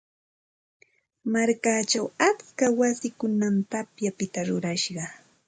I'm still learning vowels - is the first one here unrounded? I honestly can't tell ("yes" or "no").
yes